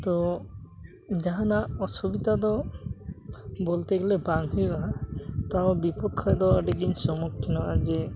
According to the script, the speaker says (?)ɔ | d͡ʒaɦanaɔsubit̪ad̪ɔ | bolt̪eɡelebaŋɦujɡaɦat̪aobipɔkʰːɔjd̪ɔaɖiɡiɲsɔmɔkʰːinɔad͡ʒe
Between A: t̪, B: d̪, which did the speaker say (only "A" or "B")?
A